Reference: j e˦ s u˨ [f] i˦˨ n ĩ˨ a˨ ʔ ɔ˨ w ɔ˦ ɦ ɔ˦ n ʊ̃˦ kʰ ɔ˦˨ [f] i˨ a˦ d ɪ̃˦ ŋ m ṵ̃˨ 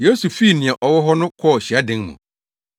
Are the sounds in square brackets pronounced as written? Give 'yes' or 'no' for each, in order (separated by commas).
yes, no